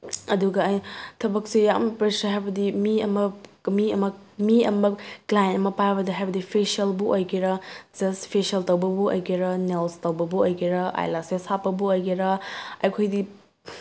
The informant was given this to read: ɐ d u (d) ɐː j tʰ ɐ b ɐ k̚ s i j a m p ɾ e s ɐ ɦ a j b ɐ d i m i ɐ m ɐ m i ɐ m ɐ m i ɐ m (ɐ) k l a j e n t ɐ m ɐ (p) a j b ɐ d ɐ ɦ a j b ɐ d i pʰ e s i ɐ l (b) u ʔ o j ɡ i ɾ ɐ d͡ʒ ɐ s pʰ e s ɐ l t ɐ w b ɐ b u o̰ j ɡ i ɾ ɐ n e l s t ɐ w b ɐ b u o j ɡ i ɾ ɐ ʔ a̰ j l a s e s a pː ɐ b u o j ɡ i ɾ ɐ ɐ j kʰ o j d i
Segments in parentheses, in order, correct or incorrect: incorrect, correct, correct, correct

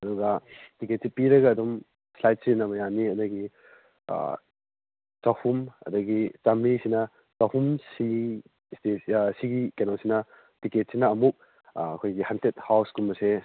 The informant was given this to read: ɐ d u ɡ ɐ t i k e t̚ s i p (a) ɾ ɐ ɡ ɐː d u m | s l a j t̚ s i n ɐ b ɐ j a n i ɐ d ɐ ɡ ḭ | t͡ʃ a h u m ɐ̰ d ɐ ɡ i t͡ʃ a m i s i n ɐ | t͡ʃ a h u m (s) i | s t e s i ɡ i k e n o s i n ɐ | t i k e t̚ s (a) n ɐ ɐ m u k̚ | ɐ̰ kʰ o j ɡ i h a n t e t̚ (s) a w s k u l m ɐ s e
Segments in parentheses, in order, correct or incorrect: incorrect, correct, incorrect, incorrect

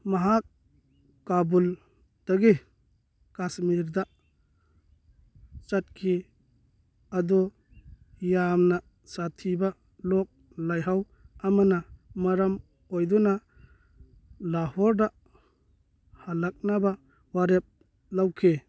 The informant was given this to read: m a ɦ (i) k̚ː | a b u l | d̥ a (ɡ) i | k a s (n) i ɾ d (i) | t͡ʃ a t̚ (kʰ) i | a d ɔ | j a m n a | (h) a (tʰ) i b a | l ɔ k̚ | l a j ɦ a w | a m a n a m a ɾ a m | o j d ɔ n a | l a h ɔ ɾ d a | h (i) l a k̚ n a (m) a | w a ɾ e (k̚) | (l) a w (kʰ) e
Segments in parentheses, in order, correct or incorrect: incorrect, correct, incorrect, incorrect, correct, incorrect, correct, incorrect, incorrect, incorrect, correct, correct

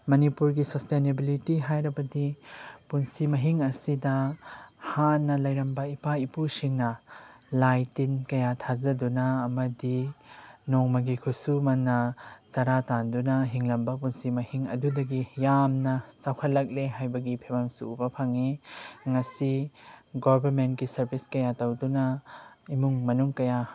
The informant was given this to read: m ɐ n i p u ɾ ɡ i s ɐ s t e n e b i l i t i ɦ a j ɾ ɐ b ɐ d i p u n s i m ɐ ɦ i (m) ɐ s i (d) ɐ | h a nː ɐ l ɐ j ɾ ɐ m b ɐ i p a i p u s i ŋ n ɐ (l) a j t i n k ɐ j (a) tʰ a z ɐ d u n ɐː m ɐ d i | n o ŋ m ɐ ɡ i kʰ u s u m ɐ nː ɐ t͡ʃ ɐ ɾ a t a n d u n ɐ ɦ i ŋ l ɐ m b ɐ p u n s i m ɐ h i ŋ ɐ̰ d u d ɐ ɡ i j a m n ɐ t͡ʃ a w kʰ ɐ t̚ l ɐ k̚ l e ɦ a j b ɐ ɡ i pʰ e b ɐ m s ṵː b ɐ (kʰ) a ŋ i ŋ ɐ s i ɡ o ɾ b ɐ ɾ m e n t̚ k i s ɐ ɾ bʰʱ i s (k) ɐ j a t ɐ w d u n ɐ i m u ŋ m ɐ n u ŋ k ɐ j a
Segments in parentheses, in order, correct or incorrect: incorrect, correct, correct, correct, incorrect, correct

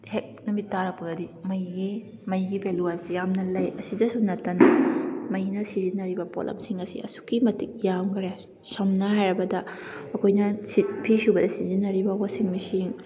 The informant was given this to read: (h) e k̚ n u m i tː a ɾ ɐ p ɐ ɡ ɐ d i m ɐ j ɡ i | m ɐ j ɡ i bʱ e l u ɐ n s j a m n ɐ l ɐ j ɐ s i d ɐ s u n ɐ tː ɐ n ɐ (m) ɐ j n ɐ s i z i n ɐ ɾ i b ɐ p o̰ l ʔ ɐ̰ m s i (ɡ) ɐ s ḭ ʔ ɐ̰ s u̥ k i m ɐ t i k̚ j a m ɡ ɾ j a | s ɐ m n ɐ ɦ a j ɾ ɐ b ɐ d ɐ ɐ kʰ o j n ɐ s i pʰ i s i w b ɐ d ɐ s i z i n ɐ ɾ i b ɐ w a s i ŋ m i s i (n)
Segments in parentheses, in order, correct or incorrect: correct, correct, incorrect, incorrect

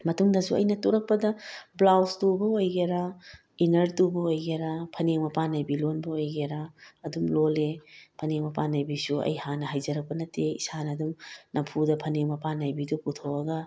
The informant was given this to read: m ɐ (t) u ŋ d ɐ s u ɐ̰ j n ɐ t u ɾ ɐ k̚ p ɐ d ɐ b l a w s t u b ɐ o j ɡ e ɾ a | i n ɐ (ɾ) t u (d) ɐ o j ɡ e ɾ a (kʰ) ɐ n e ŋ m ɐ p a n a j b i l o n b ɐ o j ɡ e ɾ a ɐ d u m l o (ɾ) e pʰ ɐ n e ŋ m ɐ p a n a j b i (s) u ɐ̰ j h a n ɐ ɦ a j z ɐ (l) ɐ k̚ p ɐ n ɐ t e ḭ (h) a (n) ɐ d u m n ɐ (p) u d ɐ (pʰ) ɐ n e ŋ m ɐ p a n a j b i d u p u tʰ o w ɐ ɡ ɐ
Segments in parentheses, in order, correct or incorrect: correct, correct, incorrect, incorrect, incorrect, correct, incorrect, incorrect, correct, incorrect, correct

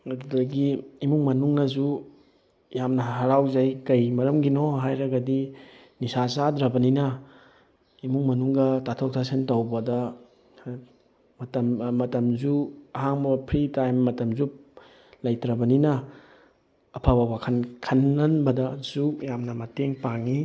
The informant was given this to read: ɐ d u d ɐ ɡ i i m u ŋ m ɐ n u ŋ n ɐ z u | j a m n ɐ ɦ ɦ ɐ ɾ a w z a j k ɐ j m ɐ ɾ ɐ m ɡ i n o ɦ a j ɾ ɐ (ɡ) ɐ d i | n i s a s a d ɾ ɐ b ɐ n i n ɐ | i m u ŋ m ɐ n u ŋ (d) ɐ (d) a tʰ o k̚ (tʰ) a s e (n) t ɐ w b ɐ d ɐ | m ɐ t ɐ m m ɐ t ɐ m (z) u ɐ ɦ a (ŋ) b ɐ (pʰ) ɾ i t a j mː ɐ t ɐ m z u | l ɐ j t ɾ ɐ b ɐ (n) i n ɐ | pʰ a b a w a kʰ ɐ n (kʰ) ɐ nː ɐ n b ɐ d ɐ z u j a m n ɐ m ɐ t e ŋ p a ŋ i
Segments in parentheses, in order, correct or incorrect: correct, incorrect, incorrect, correct, correct, correct, correct, correct, correct, correct

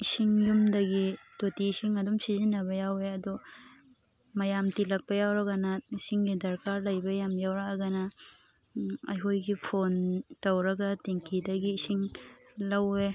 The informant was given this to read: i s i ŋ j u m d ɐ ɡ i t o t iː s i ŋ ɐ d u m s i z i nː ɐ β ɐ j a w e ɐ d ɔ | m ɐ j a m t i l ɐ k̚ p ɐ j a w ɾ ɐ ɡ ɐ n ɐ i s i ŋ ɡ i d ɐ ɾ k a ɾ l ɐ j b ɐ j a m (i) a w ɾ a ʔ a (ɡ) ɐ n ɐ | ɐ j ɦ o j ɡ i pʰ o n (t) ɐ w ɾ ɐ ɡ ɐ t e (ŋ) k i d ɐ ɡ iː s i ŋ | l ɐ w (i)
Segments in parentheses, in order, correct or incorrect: incorrect, correct, correct, correct, incorrect

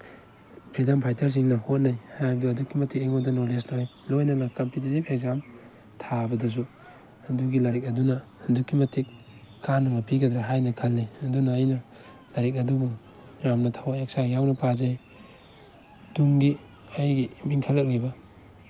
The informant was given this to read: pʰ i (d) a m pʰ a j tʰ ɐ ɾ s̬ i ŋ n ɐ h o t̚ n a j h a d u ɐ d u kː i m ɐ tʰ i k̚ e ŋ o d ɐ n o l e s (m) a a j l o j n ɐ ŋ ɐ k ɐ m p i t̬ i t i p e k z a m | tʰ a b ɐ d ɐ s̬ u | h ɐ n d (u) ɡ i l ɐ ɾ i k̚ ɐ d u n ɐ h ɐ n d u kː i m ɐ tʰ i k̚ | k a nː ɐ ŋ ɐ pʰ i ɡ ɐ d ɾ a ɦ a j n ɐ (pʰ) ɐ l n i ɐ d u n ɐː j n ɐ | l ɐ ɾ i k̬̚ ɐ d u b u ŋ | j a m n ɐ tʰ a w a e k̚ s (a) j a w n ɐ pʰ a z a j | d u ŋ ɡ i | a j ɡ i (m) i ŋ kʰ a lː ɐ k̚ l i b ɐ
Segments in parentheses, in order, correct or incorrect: correct, incorrect, correct, incorrect, correct, correct

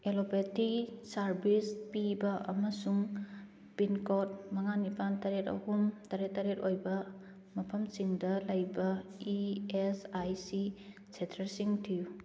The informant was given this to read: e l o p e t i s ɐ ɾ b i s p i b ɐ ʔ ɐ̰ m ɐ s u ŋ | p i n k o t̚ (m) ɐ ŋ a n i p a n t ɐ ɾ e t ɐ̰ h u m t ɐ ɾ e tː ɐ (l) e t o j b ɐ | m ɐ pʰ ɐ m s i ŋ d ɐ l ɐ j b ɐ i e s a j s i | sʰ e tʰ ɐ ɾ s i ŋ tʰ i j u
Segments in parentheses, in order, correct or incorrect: correct, incorrect

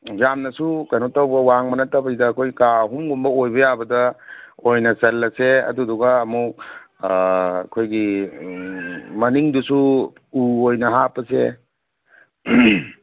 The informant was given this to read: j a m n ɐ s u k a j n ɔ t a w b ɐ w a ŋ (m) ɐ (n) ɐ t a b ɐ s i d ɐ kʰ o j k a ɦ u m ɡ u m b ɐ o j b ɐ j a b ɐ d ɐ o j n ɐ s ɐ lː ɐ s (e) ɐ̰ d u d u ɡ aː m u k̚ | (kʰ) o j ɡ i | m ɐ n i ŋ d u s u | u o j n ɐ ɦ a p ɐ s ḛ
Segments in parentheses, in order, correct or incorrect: correct, correct, correct, correct

